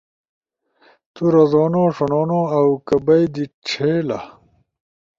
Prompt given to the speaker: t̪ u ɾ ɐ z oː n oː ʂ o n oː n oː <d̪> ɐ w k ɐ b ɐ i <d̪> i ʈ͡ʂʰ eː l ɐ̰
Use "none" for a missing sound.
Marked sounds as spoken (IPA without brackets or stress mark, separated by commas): none, d̪